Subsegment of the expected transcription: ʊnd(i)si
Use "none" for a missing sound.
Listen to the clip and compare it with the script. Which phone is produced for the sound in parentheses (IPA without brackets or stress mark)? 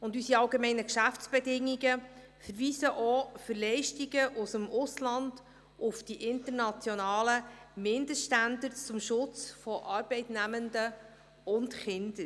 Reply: y